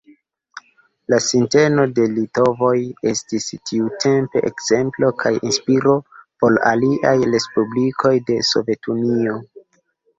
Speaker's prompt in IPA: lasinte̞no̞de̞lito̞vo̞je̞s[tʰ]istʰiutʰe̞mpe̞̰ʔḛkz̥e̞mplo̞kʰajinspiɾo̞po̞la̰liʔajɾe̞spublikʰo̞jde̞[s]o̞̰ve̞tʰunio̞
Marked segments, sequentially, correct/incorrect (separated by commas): incorrect, correct